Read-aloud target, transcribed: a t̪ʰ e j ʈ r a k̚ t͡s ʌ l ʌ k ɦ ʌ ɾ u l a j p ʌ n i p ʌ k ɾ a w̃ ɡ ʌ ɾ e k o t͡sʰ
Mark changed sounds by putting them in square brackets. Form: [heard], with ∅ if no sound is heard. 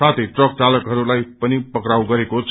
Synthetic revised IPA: a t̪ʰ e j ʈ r [ʌ] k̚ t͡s [a] l ʌ k ɦ ʌ ɾ u l a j p ʌ n i p ʌ k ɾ a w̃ ɡ ʌ ɾ e k o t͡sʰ

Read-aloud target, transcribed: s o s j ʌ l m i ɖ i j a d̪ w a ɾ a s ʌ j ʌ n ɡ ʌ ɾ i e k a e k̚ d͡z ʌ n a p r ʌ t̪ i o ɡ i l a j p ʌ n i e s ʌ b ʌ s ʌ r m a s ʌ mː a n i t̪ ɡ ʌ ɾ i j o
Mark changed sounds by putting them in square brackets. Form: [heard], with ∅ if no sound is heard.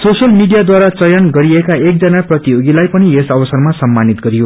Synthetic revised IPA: s o s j ʌ l m i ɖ i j a d̪ w a ɾ a [t͡s] ʌ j ʌ n ɡ ʌ ɾ i e k a e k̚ d͡z ʌ n a p r ʌ t̪ i o ɡ i l a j p ʌ n i e s ʌ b ʌ s ʌ r m a s ʌ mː a n i t̪ ɡ ʌ ɾ i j o

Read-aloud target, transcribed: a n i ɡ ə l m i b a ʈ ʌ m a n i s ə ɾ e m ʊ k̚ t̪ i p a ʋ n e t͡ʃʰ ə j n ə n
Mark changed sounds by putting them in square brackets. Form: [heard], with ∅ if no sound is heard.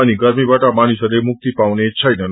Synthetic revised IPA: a n i ɡ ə [ɾ] m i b a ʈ [a] m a n i s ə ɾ e m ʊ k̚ t̪ i p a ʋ n e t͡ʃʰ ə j n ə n

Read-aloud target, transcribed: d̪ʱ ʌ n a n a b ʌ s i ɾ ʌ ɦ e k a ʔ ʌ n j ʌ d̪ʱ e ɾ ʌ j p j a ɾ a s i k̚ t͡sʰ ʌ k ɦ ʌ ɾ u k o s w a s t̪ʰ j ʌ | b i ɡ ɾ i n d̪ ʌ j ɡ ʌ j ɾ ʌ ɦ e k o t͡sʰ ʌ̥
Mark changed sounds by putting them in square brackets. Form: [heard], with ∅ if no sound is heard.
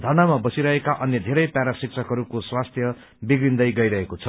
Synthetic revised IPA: d̪ʱ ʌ n a [m] a b ʌ s i ɾ ʌ ɦ e k a ʔ ʌ n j ʌ d̪ʱ e ɾ ʌ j p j a ɾ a s i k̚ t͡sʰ ʌ k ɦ ʌ ɾ u k o s w a s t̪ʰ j ʌ | b i ɡ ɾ i n d̪ ʌ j ɡ ʌ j ɾ ʌ ɦ e k o t͡sʰ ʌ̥

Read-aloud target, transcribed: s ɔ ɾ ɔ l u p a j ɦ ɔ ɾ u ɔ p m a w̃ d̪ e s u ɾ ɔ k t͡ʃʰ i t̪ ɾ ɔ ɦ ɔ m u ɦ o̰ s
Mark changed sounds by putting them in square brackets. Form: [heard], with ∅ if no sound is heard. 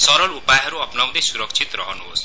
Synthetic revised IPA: s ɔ ɾ ɔ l u p a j ɦ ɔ ɾ u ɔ p [n] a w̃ d̪ e s u ɾ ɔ k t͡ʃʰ i t̪ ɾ ɔ ɦ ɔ [n] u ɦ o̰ s

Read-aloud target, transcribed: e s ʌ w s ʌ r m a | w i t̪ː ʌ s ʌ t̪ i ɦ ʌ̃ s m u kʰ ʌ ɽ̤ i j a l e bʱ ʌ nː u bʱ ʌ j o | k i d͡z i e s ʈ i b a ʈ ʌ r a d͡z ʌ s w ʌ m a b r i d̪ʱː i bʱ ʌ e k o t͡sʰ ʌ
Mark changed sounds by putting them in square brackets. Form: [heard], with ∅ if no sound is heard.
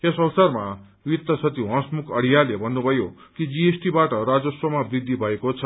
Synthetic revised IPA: e s ʌ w s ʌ r m a | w i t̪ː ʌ s ʌ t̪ i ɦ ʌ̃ s m u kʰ ʌ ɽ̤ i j a l e bʱ ʌ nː u bʱ ʌ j o | k i d͡z i e s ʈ i b a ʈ ʌ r a d͡z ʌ s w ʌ m a b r i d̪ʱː i bʱ ʌ e k o t͡sʰ ʌ

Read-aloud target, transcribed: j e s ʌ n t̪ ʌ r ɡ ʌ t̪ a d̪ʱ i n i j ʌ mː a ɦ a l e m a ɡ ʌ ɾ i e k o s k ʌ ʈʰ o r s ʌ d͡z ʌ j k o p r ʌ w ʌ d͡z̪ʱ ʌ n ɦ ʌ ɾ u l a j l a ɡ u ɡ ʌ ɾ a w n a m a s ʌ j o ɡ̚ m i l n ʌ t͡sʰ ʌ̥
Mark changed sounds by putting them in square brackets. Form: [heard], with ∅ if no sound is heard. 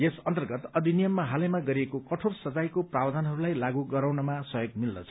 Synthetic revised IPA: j e s ʌ n t̪ ʌ r ɡ ʌ t̪ [ʌ] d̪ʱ i n i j ʌ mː a ɦ a l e m a ɡ ʌ ɾ i e k o [∅] k ʌ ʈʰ o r s ʌ d͡z [a] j k o p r [a] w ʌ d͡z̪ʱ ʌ n ɦ ʌ ɾ u l a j l a ɡ u ɡ ʌ ɾ a w n [ʌ] m a s ʌ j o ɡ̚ m i l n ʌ t͡sʰ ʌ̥

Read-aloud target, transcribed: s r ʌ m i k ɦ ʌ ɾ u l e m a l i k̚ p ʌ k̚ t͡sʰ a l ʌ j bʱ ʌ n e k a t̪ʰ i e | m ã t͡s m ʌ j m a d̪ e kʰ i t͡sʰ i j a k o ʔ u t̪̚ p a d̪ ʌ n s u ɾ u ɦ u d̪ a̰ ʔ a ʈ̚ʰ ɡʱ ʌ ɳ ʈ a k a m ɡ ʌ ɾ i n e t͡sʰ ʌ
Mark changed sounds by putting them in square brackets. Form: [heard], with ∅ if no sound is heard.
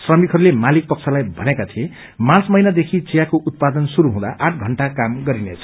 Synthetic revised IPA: s r ʌ m i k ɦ ʌ ɾ u l e m a l i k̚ p ʌ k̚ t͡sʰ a l [a] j bʱ ʌ n e k a t̪ʰ i e | m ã t͡s m ʌ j [n] a d̪ e kʰ i [t͡s] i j a k o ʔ u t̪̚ p a d̪ ʌ n s u ɾ u ɦ [ũ] d̪ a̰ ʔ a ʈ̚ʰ ɡʱ ʌ ɳ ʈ a k a m ɡ ʌ ɾ i n e t͡sʰ ʌ

